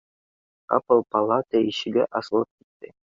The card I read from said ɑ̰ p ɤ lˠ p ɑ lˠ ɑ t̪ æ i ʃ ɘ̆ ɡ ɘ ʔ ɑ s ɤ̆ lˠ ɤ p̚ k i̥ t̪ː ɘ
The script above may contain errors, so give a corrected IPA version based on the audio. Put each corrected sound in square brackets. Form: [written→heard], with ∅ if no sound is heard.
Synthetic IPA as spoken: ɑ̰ p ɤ lˠ p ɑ lˠ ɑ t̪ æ i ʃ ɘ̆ ɡ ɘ ʔ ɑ s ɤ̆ lˠ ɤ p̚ k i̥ t̪ː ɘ